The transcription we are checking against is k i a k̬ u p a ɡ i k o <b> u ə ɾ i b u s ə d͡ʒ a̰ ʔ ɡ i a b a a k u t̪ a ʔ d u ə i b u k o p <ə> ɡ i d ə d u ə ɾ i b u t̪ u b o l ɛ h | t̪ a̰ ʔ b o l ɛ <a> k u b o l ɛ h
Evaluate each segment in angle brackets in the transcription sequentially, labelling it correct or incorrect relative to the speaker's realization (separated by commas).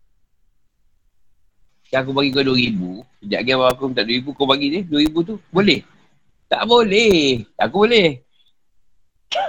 incorrect, incorrect, correct